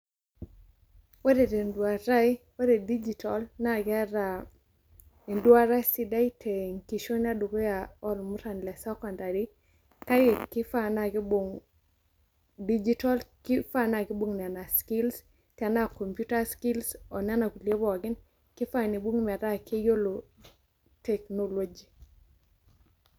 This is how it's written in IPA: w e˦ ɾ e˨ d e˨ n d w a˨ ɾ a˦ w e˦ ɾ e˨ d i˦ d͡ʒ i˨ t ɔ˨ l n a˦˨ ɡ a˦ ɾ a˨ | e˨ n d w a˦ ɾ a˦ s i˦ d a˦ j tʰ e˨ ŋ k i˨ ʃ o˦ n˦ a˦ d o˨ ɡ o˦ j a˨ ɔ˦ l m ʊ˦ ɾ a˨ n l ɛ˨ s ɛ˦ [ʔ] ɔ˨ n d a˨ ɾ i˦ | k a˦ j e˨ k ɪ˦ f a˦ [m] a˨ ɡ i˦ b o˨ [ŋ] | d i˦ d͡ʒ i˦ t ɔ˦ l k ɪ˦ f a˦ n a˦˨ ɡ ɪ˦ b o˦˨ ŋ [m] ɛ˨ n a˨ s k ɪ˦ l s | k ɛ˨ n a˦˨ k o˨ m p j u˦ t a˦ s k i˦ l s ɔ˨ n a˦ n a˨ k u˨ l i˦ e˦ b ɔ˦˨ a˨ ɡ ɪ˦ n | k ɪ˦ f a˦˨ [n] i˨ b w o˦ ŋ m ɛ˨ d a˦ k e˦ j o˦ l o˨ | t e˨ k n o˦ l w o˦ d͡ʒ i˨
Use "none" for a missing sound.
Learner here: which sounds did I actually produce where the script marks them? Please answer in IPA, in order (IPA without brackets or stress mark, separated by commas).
k, n, ŋ, n, n